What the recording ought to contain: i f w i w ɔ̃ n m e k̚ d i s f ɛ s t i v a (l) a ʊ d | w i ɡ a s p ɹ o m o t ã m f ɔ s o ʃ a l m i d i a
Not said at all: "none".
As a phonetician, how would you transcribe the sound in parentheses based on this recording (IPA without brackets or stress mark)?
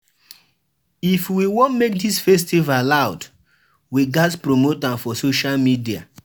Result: l